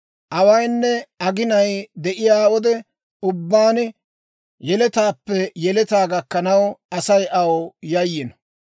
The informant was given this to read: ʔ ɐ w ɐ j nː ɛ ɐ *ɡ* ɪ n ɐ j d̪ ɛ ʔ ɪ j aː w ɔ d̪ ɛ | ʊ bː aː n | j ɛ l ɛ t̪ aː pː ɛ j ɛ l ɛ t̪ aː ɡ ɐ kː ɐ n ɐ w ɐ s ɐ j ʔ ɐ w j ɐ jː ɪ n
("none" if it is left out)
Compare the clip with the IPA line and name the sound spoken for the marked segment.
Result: ɡ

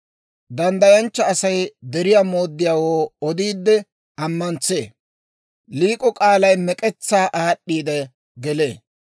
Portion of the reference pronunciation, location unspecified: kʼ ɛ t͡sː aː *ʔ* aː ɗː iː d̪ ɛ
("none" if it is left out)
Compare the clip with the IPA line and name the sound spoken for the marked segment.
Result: ʔ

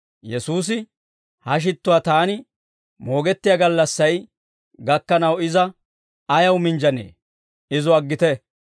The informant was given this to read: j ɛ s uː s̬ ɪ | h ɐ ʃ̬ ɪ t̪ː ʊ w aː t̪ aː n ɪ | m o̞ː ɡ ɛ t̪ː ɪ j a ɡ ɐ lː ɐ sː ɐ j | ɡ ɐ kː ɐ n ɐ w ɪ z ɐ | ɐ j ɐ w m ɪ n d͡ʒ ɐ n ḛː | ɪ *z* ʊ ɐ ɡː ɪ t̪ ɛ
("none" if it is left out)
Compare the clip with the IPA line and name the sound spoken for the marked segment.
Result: z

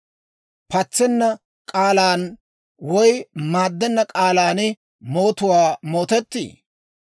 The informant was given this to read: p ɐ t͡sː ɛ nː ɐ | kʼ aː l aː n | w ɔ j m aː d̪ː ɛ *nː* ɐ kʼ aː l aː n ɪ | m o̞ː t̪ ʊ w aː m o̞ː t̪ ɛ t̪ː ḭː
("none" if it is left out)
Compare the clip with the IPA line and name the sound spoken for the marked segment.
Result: nː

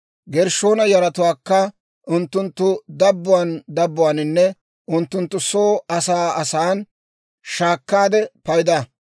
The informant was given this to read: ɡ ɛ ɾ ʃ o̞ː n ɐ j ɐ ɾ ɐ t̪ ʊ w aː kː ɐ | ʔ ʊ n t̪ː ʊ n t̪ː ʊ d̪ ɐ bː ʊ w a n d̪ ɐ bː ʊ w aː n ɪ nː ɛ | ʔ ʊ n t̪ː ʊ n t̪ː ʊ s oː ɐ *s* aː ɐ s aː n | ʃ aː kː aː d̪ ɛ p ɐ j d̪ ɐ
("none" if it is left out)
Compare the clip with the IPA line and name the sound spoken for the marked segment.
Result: s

